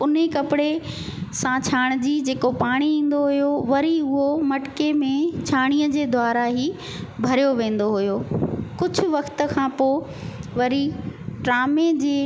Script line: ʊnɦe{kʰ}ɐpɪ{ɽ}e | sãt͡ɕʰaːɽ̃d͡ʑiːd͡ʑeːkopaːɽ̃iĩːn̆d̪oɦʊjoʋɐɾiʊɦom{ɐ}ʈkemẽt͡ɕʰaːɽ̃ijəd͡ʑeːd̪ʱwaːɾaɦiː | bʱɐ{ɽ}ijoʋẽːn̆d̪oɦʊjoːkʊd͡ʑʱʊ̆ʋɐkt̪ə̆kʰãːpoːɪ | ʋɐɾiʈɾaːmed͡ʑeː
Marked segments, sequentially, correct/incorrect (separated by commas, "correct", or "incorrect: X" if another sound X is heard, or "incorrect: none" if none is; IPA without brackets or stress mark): incorrect: k, correct, correct, incorrect: ɾ